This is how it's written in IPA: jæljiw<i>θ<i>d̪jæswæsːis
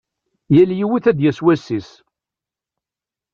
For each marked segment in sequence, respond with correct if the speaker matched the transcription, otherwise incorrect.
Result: correct, incorrect: æ

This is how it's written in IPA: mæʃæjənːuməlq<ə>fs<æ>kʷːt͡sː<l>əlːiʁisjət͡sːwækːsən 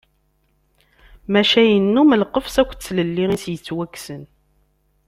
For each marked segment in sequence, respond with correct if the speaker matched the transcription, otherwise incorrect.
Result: correct, correct, correct

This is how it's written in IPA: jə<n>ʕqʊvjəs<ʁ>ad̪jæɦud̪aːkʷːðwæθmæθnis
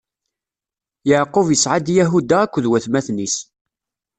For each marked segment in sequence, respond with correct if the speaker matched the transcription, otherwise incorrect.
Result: incorrect: none, incorrect: ʕ

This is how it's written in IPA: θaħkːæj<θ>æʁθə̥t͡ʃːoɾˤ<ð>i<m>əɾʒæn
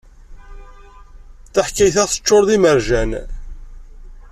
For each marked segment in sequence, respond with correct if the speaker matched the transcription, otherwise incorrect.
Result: correct, correct, correct

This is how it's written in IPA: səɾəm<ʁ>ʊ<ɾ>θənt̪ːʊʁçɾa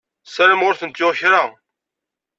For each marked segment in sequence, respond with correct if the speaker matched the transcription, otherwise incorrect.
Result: correct, correct

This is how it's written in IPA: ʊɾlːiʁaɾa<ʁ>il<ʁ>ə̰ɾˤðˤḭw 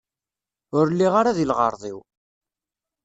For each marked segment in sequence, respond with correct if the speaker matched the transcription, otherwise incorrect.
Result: incorrect: ð, correct

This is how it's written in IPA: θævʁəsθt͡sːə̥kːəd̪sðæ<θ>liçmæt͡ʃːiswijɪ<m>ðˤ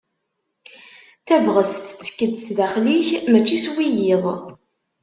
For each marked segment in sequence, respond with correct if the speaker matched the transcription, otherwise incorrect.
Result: incorrect: χ, incorrect: none

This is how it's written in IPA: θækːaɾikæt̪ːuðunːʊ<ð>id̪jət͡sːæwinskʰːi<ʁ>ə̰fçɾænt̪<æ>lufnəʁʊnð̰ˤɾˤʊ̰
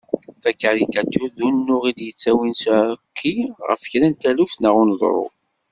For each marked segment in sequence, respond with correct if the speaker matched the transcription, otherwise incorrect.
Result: incorrect: ʁ, correct, correct

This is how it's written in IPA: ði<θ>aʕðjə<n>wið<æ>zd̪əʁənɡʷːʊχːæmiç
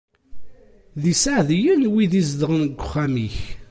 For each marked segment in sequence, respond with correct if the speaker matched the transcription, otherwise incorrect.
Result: incorrect: s, correct, incorrect: i

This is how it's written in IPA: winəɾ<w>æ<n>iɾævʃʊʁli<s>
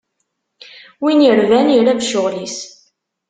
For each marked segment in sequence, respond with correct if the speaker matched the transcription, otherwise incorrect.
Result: incorrect: v, correct, correct

